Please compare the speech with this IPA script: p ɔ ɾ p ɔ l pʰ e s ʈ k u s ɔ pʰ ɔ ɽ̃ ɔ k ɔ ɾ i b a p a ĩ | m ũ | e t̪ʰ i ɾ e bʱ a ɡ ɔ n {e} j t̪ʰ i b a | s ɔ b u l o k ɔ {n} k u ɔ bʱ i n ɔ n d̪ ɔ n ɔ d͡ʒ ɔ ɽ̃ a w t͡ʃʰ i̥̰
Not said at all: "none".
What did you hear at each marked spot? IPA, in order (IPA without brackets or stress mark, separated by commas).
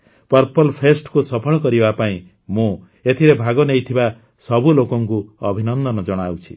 e, ŋ